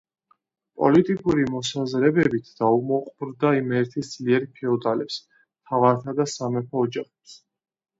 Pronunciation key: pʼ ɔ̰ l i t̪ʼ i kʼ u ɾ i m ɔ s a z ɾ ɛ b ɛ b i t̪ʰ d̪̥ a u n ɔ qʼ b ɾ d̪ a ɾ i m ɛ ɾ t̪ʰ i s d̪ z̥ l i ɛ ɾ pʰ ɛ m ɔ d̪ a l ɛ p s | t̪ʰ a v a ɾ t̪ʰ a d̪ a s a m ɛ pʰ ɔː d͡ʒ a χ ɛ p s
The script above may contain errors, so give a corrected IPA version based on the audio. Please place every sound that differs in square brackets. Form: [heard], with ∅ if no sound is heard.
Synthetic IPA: pʼ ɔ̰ l i t̪ʼ i kʼ u ɾ i m ɔ s a z ɾ ɛ b ɛ b i t̪ʰ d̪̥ a u [m] ɔ qʼ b ɾ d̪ a [∅] i m ɛ ɾ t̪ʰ i s d̪ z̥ l i ɛ ɾ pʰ ɛ [∅] ɔ d̪ a l ɛ p s | t̪ʰ a v a ɾ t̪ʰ a d̪ a s a m ɛ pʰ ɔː d͡ʒ a χ ɛ p s